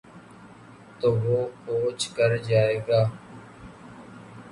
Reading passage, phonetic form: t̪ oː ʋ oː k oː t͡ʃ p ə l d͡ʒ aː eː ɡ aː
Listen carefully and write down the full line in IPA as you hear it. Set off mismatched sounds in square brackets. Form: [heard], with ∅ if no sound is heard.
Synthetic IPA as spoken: t̪ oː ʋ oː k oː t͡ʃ [k] ə [ɾ] d͡ʒ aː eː ɡ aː